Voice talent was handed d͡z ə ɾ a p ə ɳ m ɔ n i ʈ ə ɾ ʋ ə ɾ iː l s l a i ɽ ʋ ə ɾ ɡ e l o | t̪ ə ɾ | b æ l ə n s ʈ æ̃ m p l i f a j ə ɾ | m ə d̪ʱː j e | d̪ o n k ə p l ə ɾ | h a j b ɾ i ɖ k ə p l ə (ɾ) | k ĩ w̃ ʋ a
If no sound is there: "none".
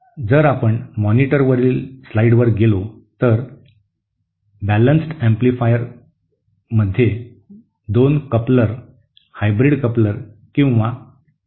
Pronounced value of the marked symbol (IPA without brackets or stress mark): ɾ